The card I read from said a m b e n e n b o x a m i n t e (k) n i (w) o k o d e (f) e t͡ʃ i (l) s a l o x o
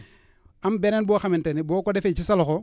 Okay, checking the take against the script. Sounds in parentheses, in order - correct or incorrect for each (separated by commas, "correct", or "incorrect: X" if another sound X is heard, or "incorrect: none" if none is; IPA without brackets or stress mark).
incorrect: none, incorrect: b, correct, incorrect: none